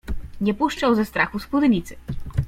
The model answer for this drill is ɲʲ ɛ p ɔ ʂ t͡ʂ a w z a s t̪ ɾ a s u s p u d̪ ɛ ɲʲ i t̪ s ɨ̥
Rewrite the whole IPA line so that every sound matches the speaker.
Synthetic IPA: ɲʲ ɛ p u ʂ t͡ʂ a w z ɛ s t̪ ɾ a x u s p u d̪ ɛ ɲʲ i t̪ s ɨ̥

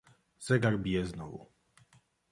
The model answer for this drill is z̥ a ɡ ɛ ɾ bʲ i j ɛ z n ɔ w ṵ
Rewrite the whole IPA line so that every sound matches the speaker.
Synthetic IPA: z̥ ɛ ɡ a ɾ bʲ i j ɛ z n ɔ v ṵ

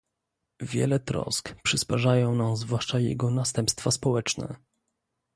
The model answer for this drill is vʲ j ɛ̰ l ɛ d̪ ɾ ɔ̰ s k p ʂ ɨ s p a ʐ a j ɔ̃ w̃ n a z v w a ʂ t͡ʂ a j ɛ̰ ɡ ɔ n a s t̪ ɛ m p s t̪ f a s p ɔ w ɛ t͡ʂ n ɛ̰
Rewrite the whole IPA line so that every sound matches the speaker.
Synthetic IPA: vʲ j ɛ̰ l ɛ t̪ ɾ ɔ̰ s k p ʂ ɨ s p a ʐ a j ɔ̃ w̃ n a z v w a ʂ t͡ʂ a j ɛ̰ ɡ ɔ n a s t̪ ɛ m p s t̪ f a s p ɔ w ɛ t͡ʂ n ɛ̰

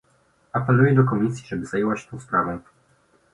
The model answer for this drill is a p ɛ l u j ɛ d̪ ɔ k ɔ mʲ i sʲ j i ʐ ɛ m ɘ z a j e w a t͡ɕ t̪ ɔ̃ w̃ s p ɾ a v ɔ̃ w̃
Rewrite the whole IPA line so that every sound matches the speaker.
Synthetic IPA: a p ɛ l u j ɛ d̪ ɔ k ɔ mʲ i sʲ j i ʐ ɛ b ɘ z a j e w a t͡ɕ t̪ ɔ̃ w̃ s p ɾ a v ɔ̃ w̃

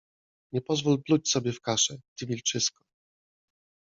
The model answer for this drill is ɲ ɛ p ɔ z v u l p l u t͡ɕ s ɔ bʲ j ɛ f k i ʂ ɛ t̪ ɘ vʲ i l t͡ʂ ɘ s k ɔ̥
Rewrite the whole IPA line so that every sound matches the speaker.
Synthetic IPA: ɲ ɛ p ɔ z v u l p l u t͡ɕ s ɔ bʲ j ɛ f k a ʂ ɛ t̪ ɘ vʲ i l t͡ʂ ɘ s k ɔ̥

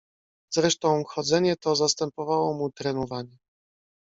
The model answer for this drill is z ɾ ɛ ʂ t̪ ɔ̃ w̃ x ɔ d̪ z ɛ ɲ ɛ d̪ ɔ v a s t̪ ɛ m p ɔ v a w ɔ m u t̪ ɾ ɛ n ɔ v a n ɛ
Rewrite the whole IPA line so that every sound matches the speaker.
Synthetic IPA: z ɾ ɛ ʂ t̪ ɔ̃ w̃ x ɔ d̪ z ɛ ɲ ɛ t̪ ɔ z a s t̪ ɛ m p ɔ v a w ɔ m u t̪ ɾ ɛ n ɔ v a ɲ ɛ

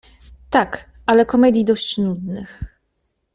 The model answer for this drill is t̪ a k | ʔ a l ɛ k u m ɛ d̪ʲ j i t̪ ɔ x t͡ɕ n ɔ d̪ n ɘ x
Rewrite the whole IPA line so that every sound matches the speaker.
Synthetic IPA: t̪ a k | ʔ a l ɛ k ɔ m ɛ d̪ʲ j i d̪ ɔ ɕ t͡ɕ n u d̪ n ɘ x

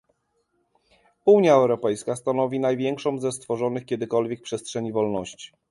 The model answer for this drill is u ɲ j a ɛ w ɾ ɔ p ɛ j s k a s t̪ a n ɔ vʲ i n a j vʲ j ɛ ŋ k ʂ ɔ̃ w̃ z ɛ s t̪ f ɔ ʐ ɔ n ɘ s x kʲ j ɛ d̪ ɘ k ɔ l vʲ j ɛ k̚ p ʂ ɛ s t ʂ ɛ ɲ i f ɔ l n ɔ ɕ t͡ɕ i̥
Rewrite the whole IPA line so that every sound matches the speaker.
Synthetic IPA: u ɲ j a ɛ w ɾ ɔ p ɛ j s k a s t̪ a n ɔ vʲ i n a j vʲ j ɛ ŋ k ʂ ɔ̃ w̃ z ɛ s t̪ f ɔ ʐ ɔ n ɘ x kʲ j ɛ d̪ ɘ k ɔ l vʲ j ɛ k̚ p ʂ ɛ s t ʂ ɛ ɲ i v ɔ l n ɔ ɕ t͡ɕ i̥

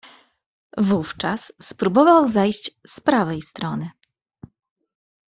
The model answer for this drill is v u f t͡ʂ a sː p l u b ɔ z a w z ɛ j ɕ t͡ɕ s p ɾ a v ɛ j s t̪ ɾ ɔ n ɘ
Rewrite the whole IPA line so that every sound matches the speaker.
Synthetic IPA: v u f t͡ʂ a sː p ɾ u b ɔ v a w z a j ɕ t͡ɕ s p ɾ a v ɛ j s t̪ ɾ ɔ n ɘ

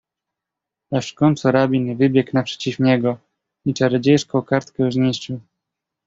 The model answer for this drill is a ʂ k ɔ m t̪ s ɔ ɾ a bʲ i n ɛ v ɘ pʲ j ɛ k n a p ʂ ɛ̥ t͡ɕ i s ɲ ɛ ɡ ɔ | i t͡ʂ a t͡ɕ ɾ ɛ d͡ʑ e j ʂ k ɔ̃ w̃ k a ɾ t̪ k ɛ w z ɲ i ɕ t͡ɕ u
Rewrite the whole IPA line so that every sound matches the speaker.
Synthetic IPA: a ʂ k ɔ n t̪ s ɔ ɾ a bʲ i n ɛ v ɘ bʲ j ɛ k n a p ʂ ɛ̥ t͡ɕ i f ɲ ɛ ɡ ɔ | i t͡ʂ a ɾ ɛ d͡ʑ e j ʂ k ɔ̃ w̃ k a ɾ t̪ k ɛ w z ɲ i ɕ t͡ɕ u

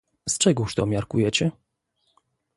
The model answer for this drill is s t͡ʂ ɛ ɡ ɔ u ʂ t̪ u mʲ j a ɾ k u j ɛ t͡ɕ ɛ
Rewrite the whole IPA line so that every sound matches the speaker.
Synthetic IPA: s t͡ʂ ɛ ɡ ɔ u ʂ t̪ ɔ mʲ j a ɾ k u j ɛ t͡ɕ ɛ

